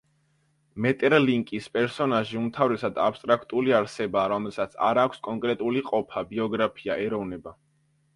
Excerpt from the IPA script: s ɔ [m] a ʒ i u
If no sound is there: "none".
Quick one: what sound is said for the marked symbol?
n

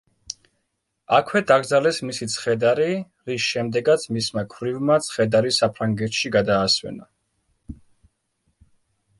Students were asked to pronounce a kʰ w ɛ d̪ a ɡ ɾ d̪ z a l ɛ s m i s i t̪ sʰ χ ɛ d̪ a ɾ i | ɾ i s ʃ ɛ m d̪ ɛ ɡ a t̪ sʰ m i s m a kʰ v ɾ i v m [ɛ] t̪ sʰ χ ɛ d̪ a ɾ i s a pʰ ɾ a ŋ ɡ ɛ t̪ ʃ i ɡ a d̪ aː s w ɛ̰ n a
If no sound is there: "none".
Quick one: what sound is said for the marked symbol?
a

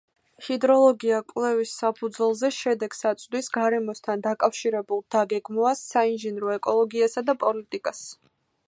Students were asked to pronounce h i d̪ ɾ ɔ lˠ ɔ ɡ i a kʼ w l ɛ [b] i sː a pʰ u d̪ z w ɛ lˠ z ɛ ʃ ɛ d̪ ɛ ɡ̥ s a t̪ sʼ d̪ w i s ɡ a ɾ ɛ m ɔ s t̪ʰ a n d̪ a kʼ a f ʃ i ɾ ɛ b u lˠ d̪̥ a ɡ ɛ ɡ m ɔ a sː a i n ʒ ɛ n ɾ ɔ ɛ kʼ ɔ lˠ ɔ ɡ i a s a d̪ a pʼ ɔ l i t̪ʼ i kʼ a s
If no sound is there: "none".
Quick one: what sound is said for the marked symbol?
v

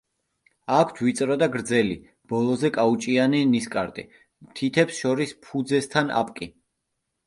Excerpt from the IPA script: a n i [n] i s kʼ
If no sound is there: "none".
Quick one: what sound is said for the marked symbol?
n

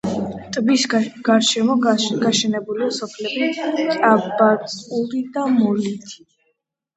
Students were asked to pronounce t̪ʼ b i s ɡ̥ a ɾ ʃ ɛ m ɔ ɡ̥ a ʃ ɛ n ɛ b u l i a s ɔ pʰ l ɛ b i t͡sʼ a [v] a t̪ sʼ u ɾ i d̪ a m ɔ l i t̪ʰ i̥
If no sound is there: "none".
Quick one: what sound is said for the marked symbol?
b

